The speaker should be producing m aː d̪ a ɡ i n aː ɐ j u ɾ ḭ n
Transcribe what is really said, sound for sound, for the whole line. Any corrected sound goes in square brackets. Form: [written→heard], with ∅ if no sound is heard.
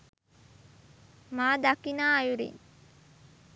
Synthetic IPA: m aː d̪ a [ɡ→k] i n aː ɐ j u ɾ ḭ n